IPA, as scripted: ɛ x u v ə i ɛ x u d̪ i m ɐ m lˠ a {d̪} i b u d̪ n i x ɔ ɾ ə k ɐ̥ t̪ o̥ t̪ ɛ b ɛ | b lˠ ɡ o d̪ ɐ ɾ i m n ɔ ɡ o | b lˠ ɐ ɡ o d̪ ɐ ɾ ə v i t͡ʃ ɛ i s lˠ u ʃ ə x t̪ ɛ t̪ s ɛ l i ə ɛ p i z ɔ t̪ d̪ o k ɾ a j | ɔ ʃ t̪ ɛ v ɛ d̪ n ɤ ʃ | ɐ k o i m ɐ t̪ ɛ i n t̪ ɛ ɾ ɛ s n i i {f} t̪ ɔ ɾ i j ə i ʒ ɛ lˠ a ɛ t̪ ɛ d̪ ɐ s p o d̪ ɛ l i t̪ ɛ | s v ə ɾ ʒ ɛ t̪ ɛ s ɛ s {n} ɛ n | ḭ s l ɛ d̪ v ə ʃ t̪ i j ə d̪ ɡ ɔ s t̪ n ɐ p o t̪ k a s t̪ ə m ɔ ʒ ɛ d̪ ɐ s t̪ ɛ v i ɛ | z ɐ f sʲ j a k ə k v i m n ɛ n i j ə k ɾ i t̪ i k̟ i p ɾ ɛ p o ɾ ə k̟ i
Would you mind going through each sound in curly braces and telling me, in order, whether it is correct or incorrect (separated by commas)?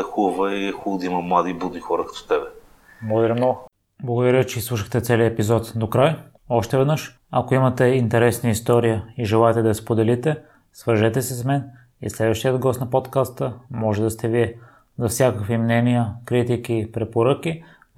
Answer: correct, incorrect, incorrect